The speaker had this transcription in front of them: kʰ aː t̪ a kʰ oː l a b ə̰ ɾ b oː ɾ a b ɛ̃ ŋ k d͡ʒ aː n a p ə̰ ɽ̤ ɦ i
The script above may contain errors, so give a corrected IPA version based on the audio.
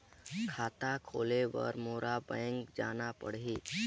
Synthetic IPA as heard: kʰ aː t̪ a kʰ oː l e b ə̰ ɾ m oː ɾ a b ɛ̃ ŋ k d͡ʒ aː n a p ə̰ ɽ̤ ɦ i